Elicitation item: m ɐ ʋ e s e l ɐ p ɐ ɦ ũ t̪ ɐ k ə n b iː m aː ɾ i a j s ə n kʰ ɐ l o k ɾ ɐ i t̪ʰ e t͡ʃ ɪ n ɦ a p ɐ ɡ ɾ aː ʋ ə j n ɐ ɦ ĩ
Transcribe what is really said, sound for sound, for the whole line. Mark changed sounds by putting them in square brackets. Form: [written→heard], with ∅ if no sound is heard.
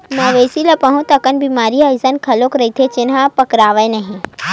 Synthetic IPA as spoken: m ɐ ʋ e s [e→i] l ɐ p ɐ ɦ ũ t̪ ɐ k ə n b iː m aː ɾ i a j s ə n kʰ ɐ l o k ɾ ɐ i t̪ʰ e t͡ʃ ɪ n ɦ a p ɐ [ɡ→k] ɾ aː ʋ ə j n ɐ ɦ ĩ